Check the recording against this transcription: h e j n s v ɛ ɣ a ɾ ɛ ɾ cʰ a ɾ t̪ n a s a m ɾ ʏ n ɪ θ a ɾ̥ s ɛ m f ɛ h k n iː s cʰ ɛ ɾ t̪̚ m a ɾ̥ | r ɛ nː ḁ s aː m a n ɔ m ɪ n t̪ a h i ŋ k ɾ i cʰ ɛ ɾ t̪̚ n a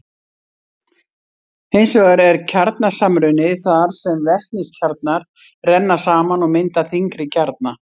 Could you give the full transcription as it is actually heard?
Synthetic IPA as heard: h e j n s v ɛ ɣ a ɾ ɛ ɾ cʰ a ɾ t̪ n a s a m ɾ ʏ n ɪ θ a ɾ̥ s ɛ m v ɛ h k n i s cʰ a ɾ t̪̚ n a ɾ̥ | r ɛ nː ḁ s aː m a n ɔ m ɪ n t̪ a θ i ŋ k ɾ ɪ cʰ a ɾ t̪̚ n a